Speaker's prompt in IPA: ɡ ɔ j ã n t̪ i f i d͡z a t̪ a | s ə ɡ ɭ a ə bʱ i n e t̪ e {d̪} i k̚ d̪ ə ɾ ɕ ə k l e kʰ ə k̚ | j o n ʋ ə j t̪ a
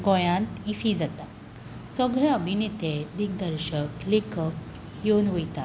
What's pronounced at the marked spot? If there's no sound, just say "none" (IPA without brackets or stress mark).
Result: d̪